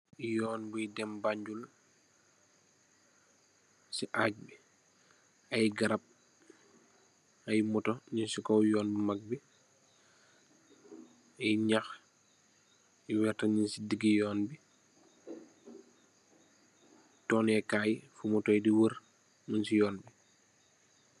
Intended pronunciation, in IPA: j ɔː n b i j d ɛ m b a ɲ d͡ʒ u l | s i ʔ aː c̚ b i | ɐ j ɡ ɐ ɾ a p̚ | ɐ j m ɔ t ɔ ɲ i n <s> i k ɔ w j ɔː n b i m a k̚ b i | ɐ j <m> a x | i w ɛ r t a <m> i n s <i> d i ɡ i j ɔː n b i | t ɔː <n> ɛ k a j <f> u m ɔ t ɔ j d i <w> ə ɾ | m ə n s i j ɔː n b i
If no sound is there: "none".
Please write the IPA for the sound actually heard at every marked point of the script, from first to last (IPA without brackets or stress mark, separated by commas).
s, ɲ, ɲ, i, n, f, w